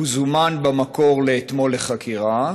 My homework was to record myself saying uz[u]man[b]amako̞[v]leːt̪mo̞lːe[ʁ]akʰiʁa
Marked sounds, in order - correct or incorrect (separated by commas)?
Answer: correct, correct, incorrect, incorrect